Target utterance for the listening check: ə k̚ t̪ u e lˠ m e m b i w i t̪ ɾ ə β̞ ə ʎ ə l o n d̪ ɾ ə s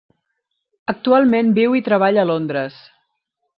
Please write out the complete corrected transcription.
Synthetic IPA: ə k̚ t̪ u a lˠ m e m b i w i t̪ ɾ ə β̞ a ʎ ə l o n d̪ ɾ ə s